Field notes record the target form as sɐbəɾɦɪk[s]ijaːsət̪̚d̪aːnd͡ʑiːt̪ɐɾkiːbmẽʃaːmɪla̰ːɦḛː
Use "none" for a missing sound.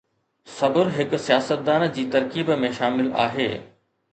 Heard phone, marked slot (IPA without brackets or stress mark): s